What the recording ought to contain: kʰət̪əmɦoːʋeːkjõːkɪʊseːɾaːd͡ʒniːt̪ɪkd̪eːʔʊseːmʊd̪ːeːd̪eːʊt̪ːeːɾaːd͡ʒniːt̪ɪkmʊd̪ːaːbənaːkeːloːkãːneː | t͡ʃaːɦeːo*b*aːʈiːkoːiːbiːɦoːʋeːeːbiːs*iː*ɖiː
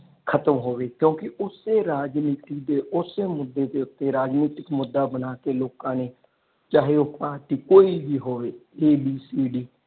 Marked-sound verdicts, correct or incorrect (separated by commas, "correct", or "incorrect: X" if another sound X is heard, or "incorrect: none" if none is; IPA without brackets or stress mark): incorrect: p, correct